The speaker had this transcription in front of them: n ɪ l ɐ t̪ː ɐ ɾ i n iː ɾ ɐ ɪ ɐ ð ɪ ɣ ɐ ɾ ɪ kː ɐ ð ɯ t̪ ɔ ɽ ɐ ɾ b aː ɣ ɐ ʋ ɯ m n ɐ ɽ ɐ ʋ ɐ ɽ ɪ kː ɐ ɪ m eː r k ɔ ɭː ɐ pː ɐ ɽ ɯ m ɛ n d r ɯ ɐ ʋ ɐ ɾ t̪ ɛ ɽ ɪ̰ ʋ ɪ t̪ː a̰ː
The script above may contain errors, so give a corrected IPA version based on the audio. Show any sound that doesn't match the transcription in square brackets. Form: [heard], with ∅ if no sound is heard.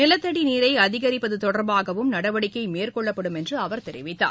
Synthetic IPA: n ɪ l ɐ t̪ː ɐ [ɽ] i n iː ɾ ɐ ɪ ɐ ð ɪ ɣ ɐ ɾ ɪ [pː] ɐ ð ɯ t̪ ɔ ɽ ɐ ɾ b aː ɣ ɐ ʋ ɯ m n ɐ ɽ ɐ ʋ ɐ ɽ ɪ kː ɐ ɪ m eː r k ɔ ɭː ɐ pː ɐ ɽ ɯ m ɛ n d r ɯ ɐ ʋ ɐ ɾ t̪ ɛ [ɾ] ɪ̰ ʋ ɪ t̪ː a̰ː

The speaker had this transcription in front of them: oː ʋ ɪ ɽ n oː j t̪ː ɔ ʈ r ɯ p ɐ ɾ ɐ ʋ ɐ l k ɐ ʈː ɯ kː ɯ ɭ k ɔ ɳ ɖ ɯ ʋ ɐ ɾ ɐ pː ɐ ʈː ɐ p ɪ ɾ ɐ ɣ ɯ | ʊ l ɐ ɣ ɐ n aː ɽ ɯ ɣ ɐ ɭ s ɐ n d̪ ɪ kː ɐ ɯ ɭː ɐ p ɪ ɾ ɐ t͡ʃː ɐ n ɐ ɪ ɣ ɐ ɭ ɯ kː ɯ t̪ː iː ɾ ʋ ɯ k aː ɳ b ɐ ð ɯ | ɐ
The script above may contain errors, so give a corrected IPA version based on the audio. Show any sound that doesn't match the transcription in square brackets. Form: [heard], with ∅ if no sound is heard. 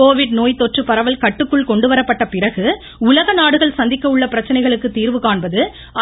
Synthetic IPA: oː ʋ ɪ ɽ n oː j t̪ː ɔ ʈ r ɯ p ɐ ɾ ɐ ʋ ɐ l k ɐ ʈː ɯ kː ɯ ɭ k ɔ ɳ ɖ ɯ ʋ ɐ ɾ ɐ pː ɐ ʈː ɐ p ɪ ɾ ɐ ɣ ɯ | ʊ l ɐ ɣ ɐ n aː ɽ ɯ ɣ ɐ ɭ s ɐ n d̪ ɪ kː ɐ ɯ ɭː ɐ p ɪ ɾ ɐ t͡ʃː ɐ n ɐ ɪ ɣ ɐ ɭ ɯ kː ɯ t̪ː iː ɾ ʋ ɯ k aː ɳ b ɐ ð ɯ | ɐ

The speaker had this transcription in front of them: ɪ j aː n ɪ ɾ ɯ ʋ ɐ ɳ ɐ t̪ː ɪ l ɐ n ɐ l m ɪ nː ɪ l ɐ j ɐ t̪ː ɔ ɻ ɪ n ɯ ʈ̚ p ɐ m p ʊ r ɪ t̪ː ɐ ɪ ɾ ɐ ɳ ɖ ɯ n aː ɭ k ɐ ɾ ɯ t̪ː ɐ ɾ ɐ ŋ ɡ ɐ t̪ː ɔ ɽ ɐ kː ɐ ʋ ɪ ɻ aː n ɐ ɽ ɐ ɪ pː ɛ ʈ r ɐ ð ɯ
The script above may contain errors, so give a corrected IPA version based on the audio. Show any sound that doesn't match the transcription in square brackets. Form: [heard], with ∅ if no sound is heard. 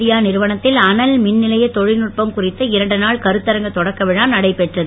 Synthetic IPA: ɪ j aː n ɪ ɾ ɯ ʋ ɐ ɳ ɐ t̪ː ɪ l ɐ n ɐ l m ɪ nː ɪ l ɐ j ɐ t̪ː ɔ ɻ ɪ n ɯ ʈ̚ p ɐ m [k] ʊ r ɪ t̪ː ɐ ɪ ɾ ɐ ɳ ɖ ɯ n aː ɭ k ɐ ɾ ɯ t̪ː ɐ ɾ ɐ ŋ ɡ ɐ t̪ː ɔ ɽ ɐ kː ɐ ʋ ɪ ɻ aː n ɐ ɽ ɐ ɪ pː ɛ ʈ r ɐ ð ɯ

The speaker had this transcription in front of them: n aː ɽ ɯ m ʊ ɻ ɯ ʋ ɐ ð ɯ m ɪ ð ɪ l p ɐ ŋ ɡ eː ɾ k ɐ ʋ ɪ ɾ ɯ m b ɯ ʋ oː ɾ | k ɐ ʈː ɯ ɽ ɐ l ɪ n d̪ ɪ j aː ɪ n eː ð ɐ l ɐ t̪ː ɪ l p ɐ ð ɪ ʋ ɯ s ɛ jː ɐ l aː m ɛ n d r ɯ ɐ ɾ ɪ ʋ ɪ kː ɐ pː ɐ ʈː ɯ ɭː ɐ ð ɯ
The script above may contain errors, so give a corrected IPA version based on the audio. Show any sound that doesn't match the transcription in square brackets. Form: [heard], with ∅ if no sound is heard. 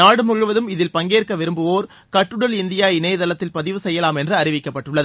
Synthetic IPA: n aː ɽ ɯ m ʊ ɻ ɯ ʋ ɐ ð ɯ m ɪ ð ɪ l p ɐ ŋ ɡ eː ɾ k ɐ ʋ ɪ ɾ ɯ m b ɯ ʋ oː ɾ | k ɐ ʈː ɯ ɽ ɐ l ɪ n d̪ ɪ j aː ɪ n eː ð ɐ l ɐ t̪ː ɪ l p ɐ ð ɪ ʋ ɯ s ɛ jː ɐ l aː m ɛ n d r ɯ ɐ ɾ ɪ ʋ ɪ kː ɐ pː ɐ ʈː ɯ ɭː ɐ ð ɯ

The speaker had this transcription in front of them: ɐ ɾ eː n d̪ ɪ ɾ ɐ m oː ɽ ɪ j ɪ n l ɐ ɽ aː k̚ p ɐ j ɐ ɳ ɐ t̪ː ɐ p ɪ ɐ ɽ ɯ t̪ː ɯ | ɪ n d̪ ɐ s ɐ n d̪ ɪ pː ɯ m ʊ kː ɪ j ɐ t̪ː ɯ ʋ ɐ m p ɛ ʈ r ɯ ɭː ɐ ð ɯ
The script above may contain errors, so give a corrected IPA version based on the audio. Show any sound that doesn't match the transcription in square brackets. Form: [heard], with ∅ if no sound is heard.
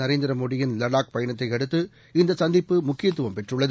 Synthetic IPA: ɐ ɾ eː n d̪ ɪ ɾ ɐ m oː ɽ ɪ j ɪ n l ɐ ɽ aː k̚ p ɐ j ɐ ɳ ɐ t̪ː ɐ [∅] ɪ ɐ ɽ ɯ t̪ː ɯ | ɪ n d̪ ɐ s ɐ n d̪ ɪ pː ɯ m ʊ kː ɪ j ɐ t̪ː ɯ ʋ ɐ m p ɛ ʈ r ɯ ɭː ɐ ð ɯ

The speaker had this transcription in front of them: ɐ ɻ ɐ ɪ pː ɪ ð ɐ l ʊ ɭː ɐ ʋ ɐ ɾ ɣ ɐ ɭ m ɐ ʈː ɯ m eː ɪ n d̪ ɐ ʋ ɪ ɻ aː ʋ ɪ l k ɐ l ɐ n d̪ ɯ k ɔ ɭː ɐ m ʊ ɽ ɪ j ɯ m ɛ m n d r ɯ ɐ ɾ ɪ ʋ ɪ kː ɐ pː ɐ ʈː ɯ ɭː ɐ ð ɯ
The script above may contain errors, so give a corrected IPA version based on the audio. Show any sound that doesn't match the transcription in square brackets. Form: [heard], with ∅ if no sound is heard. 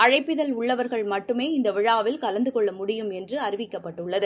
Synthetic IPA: ɐ ɻ ɐ ɪ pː ɪ ð ɐ l ʊ ɭː ɐ ʋ ɐ ɾ ɣ ɐ ɭ m ɐ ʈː ɯ m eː ɪ n d̪ ɐ ʋ ɪ ɻ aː ʋ ɪ l k ɐ l ɐ n d̪ ɯ k ɔ ɭː ɐ m ʊ ɽ ɪ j ɯ m ɛ [∅] n d r ɯ ɐ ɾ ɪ ʋ ɪ kː ɐ pː ɐ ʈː ɯ ɭː ɐ ð ɯ

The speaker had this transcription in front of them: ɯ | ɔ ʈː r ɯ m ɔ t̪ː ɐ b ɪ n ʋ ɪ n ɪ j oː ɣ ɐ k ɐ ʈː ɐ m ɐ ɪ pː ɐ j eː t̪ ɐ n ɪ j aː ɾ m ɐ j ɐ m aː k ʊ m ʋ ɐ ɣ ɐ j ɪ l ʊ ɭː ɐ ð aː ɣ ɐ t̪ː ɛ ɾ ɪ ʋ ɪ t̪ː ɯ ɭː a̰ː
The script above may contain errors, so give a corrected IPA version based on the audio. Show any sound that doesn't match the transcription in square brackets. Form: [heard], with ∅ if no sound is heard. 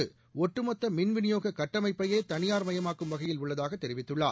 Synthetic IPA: ɯ | ɔ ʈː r ɯ m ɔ t̪ː ɐ [m] ɪ n ʋ ɪ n ɪ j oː ɣ ɐ k ɐ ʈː ɐ m ɐ ɪ pː ɐ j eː t̪ ɐ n ɪ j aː ɾ m ɐ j ɐ m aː k [ɯ] m ʋ ɐ ɣ ɐ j ɪ l ʊ ɭː ɐ ð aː ɣ ɐ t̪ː ɛ ɾ ɪ ʋ ɪ t̪ː ɯ ɭː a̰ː

